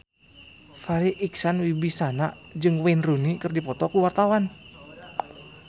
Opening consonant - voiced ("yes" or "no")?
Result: no